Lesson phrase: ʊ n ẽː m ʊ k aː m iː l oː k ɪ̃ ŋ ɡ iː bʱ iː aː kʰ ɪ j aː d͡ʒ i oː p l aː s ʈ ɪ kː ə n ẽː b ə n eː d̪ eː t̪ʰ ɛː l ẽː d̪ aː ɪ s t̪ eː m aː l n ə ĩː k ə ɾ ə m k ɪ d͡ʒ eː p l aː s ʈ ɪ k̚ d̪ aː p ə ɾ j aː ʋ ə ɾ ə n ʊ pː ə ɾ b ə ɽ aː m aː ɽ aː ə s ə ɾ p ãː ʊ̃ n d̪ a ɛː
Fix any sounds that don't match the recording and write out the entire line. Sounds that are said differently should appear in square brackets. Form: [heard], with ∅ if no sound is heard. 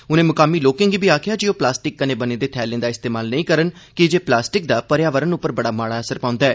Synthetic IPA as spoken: ʊ n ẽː m ʊ k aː m iː l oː k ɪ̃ ŋ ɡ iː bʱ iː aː kʰ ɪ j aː d͡ʒ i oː p l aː s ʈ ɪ kː ə n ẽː b ə n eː d̪ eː t̪ʰ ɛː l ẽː d̪ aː ɪ s t̪ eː m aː l n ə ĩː k ə ɾ ə [n] k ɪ d͡ʒ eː p l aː s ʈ ɪ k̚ d̪ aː p ə ɾ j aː ʋ ə ɾ ə n ʊ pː ə ɾ b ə ɽ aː m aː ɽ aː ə s ə ɾ p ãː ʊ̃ n d̪ a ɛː